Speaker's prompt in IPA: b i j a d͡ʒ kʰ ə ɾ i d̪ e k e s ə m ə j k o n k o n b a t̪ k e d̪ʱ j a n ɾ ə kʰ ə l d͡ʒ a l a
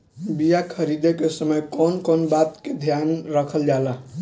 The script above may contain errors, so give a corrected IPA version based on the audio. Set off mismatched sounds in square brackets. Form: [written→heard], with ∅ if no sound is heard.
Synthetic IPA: b i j a [d͡ʒ→∅] kʰ ə ɾ i d̪ e k e s ə m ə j k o n k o n b a t̪ k e d̪ʱ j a n ɾ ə kʰ ə l d͡ʒ a l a